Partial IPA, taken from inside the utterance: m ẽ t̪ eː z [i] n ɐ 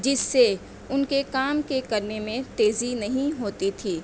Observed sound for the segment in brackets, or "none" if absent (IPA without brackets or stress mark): i